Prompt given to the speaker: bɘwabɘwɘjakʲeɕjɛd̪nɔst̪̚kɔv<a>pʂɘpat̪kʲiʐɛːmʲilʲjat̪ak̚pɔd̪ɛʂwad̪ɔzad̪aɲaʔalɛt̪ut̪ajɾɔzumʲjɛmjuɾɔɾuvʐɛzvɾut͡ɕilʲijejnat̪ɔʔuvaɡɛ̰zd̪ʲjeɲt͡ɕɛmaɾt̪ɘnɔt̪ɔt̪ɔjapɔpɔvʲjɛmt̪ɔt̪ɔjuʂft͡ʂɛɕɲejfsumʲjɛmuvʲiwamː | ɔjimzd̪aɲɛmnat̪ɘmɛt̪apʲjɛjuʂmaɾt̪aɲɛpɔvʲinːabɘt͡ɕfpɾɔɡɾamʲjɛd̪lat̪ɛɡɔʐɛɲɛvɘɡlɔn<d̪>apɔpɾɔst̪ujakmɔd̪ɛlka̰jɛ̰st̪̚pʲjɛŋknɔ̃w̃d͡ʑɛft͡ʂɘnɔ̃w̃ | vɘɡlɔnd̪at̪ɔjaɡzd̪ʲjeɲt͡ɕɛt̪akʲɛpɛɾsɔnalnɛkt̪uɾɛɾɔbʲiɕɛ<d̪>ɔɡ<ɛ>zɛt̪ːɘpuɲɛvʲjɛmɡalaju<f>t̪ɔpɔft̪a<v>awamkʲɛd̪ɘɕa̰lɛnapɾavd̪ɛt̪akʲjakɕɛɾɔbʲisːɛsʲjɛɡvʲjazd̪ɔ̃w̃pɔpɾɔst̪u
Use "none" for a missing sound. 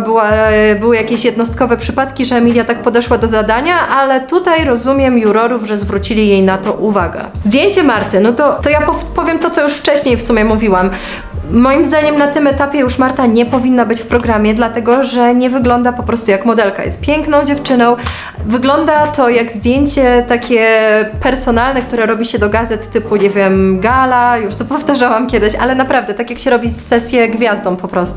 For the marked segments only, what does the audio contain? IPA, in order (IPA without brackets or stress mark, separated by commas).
ɛ, d̪, d̪, a, ʂ, ʐ